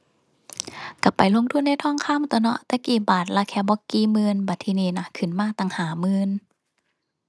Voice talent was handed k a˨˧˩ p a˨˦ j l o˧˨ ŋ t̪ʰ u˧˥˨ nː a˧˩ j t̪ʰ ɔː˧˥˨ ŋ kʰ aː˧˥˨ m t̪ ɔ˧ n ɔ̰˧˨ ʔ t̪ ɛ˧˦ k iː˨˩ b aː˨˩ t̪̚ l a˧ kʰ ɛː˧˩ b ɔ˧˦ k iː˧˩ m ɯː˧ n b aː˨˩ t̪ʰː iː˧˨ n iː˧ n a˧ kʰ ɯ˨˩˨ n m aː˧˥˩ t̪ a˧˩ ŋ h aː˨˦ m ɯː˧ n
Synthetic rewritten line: k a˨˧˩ p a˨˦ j l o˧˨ ŋ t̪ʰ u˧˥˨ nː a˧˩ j t̪ʰ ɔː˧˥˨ ŋ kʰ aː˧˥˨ m t̪ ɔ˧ n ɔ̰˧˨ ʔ t̪ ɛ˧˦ k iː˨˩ b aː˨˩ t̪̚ l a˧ kʰ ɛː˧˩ b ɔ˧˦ k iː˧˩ m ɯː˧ n b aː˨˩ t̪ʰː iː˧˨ n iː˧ n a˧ kʰ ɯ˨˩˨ n m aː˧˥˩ t̪ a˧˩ ŋ h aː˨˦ m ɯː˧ n

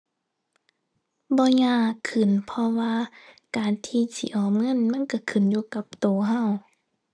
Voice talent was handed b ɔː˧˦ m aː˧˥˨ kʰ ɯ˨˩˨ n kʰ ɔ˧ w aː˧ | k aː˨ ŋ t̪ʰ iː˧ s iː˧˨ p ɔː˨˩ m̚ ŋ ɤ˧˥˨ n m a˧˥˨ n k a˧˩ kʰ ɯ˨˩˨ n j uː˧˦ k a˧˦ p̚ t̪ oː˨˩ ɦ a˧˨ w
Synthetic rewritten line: b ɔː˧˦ ɲ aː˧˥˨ kʰ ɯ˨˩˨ n pʰ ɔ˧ w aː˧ | k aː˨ n t̪ʰ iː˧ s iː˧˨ ʔ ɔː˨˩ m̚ ŋ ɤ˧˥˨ n m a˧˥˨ n k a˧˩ kʰ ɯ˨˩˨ n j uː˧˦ k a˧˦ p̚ t̪ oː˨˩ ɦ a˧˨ w

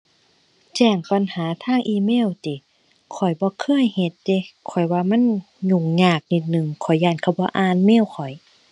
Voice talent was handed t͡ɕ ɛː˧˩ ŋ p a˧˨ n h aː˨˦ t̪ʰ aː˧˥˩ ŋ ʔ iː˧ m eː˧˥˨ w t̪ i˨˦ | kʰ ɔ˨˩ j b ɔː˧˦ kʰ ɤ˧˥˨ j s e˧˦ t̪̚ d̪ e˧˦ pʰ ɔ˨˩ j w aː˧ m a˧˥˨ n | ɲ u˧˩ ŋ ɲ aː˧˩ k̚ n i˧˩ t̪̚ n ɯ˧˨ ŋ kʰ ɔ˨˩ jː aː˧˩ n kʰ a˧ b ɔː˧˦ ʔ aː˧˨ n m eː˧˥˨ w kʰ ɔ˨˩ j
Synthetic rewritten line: t͡ɕ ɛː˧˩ ŋ p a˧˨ n h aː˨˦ t̪ʰ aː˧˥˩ ŋ ʔ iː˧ m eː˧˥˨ w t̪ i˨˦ | kʰ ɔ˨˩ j b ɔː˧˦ kʰ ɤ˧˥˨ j h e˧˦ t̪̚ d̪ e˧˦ kʰ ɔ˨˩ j w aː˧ m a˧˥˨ n | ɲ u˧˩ ŋ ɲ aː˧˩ k̚ n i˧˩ t̪̚ n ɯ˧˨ ŋ kʰ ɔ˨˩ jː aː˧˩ n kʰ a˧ b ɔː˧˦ ʔ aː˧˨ n m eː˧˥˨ w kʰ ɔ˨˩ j

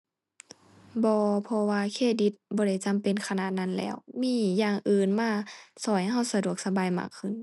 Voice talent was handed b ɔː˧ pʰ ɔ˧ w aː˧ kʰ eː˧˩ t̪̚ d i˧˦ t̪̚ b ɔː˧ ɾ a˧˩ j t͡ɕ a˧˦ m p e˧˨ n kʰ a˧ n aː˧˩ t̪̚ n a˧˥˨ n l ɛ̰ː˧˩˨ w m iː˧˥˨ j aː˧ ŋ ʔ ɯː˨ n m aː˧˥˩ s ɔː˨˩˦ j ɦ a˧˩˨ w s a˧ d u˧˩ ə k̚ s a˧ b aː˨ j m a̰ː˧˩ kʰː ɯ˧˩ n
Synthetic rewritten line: b ɔː˧ pʰ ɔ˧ w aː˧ kʰ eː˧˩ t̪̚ d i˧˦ t̪̚ b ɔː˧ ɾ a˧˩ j t͡ɕ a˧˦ m p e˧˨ n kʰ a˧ n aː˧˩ t̪̚ n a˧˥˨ n l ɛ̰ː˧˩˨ w m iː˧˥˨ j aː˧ ŋ ʔ ɯː˨ n m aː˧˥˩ s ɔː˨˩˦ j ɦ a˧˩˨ w s a˧ d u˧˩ ə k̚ s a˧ b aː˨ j m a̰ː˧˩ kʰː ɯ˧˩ n

